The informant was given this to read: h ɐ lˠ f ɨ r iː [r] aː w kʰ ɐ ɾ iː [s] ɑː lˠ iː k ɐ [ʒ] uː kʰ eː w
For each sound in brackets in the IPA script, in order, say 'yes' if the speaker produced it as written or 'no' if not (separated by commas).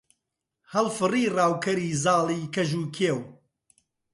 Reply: yes, no, yes